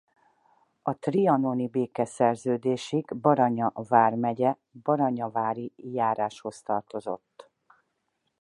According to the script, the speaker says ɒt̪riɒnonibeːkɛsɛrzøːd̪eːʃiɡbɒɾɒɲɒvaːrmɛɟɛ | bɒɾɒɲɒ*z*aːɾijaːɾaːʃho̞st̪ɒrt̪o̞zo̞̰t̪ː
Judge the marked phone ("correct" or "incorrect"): incorrect